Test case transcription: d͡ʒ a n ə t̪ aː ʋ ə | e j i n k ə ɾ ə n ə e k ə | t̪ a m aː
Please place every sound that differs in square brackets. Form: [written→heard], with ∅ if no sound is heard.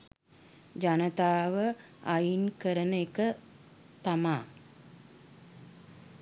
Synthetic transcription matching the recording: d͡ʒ a n ə t̪ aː ʋ ə | [e→a] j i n k ə ɾ ə n ə e k ə | t̪ a m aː